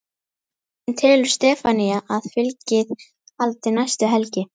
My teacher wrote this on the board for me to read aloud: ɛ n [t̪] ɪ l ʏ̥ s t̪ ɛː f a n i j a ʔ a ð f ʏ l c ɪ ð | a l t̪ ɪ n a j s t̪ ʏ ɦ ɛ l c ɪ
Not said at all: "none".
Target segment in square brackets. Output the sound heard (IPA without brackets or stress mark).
t̪ʰ